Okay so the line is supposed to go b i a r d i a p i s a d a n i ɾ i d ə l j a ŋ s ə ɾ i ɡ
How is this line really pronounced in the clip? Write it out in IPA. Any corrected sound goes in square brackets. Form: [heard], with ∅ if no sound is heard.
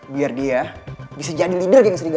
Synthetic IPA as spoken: b i a r d i a [b] i s a [d͡ʒ] a [d] i [l] i d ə [r] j a ŋ s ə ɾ i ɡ